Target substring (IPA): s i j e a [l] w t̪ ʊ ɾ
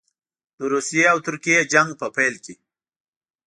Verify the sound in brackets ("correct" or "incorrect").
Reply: incorrect